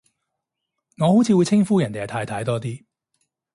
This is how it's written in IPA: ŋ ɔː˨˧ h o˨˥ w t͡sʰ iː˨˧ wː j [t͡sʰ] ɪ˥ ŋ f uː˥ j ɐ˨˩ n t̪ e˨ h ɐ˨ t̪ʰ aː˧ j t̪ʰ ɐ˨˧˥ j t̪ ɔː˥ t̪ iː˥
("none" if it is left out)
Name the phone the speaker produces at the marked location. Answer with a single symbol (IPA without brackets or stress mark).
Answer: t͡sʰ